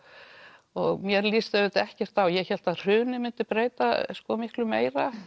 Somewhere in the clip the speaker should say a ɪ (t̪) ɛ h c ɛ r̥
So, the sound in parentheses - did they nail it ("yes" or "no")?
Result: yes